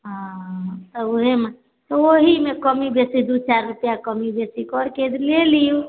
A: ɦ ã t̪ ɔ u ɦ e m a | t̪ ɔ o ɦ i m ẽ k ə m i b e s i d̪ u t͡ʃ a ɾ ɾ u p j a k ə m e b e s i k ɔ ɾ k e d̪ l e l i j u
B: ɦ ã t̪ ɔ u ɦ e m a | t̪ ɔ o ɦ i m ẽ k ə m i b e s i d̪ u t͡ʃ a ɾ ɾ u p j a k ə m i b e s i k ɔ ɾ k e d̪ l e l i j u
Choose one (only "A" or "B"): B